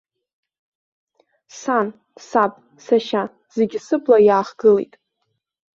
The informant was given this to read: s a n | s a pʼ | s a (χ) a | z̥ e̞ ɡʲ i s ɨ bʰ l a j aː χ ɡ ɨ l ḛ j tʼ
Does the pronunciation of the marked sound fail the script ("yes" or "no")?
yes